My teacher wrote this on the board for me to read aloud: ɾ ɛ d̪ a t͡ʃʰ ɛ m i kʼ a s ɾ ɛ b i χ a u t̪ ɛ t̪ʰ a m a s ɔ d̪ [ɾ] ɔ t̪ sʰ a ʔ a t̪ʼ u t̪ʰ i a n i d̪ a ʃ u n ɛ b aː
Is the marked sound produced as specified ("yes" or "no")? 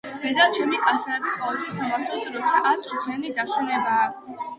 yes